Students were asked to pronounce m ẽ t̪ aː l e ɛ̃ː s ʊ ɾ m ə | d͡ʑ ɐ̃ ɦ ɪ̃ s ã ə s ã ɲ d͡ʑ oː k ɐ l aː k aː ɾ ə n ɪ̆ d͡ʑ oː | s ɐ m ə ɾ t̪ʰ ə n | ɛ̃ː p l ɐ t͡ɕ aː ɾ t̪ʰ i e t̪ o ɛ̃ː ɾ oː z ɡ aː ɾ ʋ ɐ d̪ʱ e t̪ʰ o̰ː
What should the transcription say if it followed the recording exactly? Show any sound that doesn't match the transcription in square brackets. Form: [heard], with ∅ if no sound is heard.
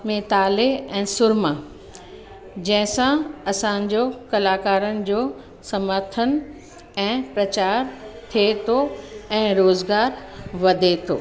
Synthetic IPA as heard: m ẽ t̪ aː l e ɛ̃ː s ʊ ɾ m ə | d͡ʑ ɐ̃ ɦ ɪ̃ s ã [ɐ] s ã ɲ d͡ʑ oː k ɐ l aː k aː ɾ ə n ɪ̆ d͡ʑ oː | s ɐ m ə ɾ t̪ʰ ə n | ɛ̃ː p [ɾ] ɐ t͡ɕ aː ɾ t̪ʰ i e [t̪ʰ] o ɛ̃ː ɾ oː z ɡ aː ɾ ʋ ɐ d̪ʱ e t̪ʰ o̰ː